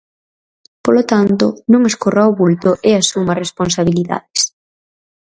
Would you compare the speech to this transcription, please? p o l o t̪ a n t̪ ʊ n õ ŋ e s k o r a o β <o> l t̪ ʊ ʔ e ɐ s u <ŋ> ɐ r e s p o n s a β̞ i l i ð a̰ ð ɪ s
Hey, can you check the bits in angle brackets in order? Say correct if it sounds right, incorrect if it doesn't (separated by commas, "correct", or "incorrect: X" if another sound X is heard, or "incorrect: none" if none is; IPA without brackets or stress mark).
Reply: incorrect: u, incorrect: m